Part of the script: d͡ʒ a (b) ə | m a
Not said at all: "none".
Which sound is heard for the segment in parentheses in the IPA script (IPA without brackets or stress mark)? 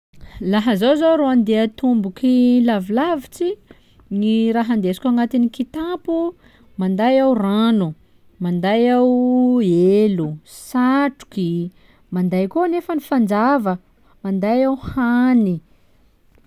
v